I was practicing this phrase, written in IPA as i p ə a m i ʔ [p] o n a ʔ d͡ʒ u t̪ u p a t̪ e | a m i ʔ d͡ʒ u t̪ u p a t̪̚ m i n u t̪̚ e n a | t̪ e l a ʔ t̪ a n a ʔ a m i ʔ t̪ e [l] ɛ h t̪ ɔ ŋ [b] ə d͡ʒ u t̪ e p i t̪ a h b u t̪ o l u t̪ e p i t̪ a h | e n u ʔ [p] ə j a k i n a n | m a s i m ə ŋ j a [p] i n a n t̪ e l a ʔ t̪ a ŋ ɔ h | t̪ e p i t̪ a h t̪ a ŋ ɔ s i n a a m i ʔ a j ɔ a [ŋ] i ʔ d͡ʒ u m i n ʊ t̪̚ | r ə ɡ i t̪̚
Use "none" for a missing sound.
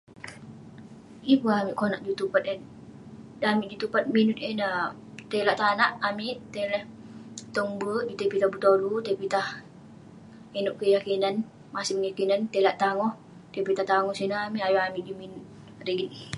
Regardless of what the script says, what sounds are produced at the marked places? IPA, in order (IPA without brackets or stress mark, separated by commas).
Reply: k, l, b, k, k, m